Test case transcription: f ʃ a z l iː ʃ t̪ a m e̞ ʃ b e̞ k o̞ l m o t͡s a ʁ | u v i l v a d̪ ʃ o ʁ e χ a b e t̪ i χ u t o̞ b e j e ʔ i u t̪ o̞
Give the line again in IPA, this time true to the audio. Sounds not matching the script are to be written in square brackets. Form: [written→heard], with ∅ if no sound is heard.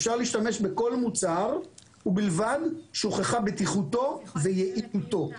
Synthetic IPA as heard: f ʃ a [z→ʁ] l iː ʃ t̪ a m e̞ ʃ b e̞ k o̞ l m [o→u] t͡s a ʁ | u [v→b] i l v a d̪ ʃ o [ʁ→χ] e χ a b e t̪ i χ u t o̞ [b→v] e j e ʔ i u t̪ o̞